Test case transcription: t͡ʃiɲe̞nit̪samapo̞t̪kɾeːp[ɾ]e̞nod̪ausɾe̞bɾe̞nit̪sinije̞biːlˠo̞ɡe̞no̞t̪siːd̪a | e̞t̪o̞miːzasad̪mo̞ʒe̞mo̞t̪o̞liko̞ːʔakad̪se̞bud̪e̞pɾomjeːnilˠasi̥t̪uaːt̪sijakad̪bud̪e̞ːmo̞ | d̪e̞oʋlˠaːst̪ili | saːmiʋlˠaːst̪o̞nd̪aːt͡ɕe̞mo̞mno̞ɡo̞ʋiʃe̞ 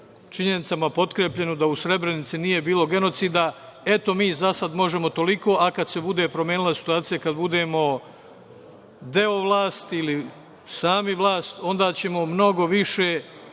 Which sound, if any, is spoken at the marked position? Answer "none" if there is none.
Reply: ʎ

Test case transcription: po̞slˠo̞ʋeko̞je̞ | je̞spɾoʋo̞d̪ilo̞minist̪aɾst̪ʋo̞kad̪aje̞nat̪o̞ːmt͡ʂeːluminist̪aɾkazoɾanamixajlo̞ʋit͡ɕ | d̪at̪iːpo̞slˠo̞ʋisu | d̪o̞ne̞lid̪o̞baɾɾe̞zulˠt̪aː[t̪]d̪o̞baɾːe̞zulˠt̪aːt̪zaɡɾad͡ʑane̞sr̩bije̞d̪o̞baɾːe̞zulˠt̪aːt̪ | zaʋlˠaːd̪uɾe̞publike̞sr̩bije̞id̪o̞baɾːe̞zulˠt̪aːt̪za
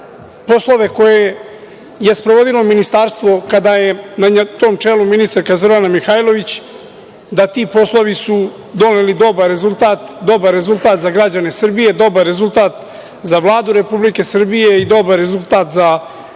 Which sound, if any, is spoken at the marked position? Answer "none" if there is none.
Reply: t̪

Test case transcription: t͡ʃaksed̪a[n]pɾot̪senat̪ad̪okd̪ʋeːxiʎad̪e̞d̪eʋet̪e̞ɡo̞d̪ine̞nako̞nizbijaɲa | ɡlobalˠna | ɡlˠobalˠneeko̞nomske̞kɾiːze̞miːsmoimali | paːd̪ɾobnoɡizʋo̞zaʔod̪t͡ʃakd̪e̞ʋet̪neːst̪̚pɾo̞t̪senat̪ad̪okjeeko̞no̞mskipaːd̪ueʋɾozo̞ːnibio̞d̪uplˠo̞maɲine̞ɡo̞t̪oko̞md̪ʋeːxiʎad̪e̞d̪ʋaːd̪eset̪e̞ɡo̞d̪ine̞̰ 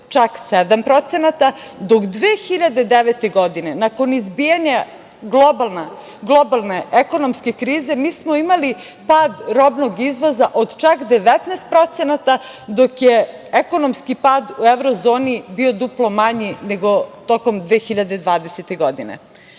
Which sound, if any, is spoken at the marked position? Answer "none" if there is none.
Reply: m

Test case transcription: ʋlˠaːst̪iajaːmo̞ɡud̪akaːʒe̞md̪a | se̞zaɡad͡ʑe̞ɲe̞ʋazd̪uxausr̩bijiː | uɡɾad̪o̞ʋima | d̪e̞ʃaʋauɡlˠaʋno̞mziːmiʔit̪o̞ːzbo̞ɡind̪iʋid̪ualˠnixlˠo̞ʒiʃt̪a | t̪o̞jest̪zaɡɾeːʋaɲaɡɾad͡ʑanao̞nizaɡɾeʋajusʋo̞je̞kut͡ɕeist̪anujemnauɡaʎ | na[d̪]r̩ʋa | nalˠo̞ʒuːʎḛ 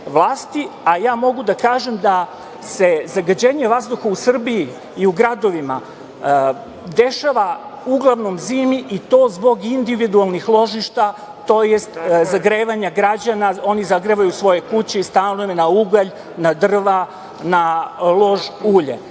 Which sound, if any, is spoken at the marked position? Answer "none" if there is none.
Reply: d̪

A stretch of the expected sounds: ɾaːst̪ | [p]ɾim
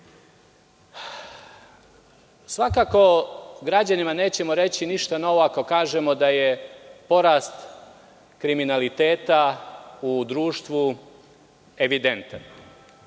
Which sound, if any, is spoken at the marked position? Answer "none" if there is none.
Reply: k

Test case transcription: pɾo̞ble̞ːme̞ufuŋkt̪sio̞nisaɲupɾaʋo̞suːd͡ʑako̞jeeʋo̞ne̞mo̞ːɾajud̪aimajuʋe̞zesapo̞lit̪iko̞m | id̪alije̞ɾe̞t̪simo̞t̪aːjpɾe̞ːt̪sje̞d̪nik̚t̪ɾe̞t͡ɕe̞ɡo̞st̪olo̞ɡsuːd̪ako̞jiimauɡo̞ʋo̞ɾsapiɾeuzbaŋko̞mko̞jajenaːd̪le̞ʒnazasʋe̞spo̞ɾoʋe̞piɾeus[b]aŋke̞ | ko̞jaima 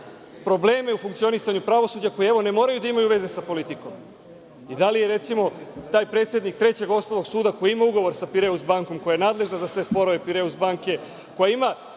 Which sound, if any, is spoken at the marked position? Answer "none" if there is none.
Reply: b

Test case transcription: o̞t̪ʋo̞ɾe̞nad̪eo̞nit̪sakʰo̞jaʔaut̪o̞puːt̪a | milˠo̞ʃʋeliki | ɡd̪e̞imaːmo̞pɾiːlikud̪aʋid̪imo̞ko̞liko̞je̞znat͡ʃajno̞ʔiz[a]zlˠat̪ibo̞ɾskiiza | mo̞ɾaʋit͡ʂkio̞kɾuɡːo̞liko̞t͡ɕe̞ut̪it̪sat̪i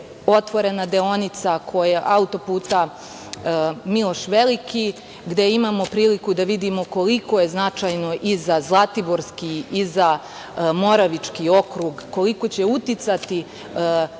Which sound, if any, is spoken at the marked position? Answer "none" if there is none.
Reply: a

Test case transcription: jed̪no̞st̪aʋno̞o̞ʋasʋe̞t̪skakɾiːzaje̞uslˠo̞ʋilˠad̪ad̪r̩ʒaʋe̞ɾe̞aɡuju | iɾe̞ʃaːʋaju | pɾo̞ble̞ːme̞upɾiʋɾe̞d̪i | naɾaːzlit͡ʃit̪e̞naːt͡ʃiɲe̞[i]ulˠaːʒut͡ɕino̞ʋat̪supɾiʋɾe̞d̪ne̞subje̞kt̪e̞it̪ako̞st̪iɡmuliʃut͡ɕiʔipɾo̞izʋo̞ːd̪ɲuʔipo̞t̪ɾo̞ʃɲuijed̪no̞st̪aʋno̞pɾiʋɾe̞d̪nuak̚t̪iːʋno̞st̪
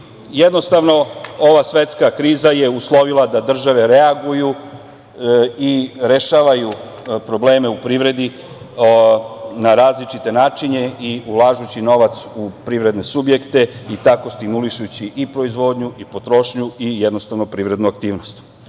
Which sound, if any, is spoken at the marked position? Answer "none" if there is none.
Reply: i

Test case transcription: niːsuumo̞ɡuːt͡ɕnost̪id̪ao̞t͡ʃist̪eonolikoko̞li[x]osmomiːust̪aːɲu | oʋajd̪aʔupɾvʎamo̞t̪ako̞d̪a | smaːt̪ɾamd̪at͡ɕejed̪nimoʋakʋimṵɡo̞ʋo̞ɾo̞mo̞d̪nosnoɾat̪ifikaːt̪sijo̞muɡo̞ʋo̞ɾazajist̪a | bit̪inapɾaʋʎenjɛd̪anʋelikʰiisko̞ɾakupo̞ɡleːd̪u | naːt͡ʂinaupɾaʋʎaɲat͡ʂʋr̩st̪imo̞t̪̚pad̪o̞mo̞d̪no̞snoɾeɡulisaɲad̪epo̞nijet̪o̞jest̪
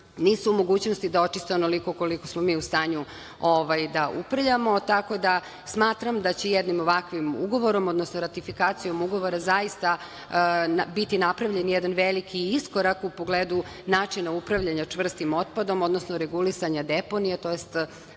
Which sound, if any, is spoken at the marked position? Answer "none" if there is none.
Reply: k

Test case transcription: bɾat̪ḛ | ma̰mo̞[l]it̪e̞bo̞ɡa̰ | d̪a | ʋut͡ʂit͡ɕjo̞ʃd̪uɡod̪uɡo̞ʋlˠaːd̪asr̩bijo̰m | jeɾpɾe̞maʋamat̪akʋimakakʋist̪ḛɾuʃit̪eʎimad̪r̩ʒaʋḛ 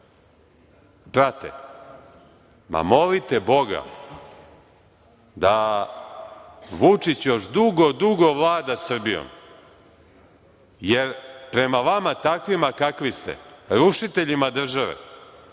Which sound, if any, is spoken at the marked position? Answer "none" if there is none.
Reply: l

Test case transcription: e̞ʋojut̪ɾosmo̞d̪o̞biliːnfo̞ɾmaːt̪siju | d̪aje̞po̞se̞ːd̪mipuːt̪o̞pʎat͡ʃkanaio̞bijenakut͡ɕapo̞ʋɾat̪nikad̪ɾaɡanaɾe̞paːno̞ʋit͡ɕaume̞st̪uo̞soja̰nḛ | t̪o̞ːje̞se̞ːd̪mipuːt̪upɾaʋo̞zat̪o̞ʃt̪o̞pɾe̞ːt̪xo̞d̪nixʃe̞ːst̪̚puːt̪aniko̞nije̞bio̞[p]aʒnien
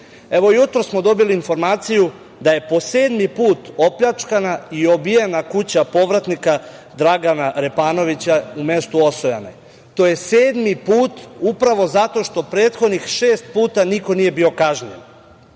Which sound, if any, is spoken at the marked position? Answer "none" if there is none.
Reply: k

